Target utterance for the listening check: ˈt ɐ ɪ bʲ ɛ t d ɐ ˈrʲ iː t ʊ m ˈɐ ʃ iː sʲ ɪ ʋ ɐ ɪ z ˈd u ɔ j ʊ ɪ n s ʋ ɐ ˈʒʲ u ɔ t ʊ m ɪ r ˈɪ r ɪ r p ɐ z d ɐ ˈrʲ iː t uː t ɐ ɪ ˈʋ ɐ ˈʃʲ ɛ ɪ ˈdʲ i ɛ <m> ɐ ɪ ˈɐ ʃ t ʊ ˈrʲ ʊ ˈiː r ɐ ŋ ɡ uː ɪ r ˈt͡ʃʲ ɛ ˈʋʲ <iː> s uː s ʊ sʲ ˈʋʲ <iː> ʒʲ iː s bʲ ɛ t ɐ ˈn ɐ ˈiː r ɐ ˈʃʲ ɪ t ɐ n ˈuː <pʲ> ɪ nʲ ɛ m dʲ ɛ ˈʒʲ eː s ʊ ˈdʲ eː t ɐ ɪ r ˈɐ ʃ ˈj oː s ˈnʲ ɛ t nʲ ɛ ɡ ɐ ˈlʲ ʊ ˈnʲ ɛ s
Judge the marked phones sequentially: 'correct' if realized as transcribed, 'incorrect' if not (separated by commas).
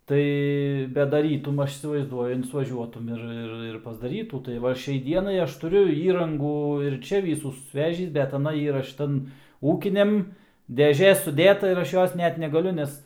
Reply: incorrect, correct, incorrect, incorrect